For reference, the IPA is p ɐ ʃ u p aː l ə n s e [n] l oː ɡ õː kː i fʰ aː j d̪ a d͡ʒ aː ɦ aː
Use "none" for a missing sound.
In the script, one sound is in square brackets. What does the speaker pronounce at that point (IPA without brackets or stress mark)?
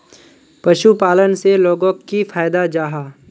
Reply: none